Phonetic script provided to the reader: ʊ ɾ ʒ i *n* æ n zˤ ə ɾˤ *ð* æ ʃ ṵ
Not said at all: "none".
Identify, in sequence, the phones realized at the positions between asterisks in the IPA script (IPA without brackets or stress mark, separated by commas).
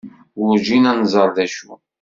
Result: n, ð